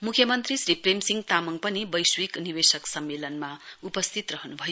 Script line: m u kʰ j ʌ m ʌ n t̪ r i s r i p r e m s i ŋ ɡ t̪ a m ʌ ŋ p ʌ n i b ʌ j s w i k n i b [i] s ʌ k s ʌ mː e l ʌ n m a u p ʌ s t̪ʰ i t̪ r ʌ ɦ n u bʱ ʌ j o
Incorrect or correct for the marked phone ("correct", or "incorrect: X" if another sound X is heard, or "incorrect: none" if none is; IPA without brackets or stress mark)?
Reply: incorrect: e